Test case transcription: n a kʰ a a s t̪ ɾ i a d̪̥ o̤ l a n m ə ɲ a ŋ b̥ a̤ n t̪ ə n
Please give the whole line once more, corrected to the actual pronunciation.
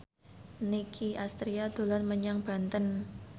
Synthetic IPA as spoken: n i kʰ i a s t̪ ɾ i a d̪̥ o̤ l a n m ə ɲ a ŋ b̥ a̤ n t̪ ə n